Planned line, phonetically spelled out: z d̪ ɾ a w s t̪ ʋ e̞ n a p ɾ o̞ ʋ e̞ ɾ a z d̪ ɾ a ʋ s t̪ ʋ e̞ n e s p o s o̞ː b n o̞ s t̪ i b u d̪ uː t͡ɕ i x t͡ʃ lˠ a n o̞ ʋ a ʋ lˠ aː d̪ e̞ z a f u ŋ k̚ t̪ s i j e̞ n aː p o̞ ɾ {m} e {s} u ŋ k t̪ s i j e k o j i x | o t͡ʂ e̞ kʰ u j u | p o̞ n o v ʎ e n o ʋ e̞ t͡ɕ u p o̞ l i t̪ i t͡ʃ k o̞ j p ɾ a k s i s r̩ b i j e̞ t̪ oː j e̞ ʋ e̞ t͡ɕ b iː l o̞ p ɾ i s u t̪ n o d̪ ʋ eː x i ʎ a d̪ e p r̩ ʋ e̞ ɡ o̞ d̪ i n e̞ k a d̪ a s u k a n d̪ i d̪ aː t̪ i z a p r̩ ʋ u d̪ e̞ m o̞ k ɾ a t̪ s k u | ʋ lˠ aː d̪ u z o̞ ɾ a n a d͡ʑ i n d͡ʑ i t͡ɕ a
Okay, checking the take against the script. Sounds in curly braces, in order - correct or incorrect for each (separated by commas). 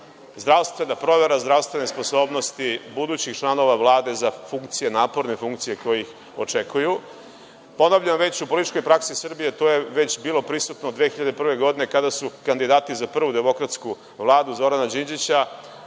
incorrect, incorrect